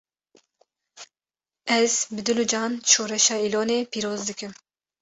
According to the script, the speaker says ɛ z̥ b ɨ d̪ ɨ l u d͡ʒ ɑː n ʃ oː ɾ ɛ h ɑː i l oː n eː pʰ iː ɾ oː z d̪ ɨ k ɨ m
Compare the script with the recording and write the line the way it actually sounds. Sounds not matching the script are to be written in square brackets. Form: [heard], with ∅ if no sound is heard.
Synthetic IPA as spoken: ɛ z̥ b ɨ d̪ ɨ l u d͡ʒ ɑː n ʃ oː ɾ ɛ [ʃ] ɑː i l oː n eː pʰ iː ɾ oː z d̪ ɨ k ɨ m